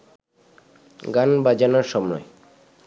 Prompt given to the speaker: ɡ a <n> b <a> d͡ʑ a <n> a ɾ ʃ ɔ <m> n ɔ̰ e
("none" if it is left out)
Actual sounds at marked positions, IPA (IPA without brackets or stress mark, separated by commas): n, a, n, m